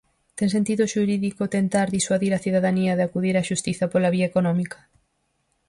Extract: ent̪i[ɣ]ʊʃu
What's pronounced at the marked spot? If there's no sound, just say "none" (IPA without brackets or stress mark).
ð